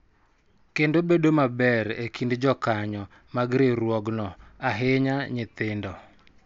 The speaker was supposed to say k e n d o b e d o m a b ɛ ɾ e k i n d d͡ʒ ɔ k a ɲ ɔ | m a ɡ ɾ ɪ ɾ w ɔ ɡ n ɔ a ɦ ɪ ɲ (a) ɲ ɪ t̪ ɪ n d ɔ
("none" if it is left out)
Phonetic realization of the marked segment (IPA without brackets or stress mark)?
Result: a